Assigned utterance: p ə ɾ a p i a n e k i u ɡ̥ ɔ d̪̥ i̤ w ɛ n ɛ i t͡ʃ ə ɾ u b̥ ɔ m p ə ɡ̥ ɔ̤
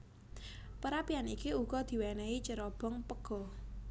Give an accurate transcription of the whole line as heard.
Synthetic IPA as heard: p ə ɾ a p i a n i k i u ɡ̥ ɔ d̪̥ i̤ w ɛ n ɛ i t͡ʃ ə ɾ ɔ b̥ ɔ ŋ p ə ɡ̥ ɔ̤